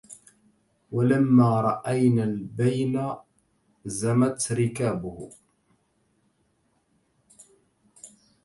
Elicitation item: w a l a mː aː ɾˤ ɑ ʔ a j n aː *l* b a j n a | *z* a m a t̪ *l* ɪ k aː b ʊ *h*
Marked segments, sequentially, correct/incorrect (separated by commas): correct, correct, incorrect, correct